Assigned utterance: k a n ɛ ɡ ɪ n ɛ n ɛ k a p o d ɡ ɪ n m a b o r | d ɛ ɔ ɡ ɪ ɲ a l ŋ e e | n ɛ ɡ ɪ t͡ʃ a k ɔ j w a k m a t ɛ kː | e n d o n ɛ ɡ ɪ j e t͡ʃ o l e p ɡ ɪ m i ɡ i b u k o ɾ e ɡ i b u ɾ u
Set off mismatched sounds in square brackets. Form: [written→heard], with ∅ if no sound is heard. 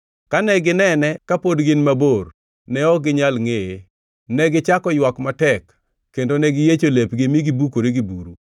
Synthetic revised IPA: k a n ɛ ɡ ɪ n ɛ n ɛ k a p o d ɡ ɪ n m a b o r | [d→n] ɛ ɔ ɡ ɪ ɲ a l ŋ e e | n ɛ ɡ ɪ t͡ʃ a k ɔ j w a k m a t ɛ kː | e n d o n ɛ ɡ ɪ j e t͡ʃ o l e p ɡ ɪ m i ɡ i b u k o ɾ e ɡ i b u ɾ u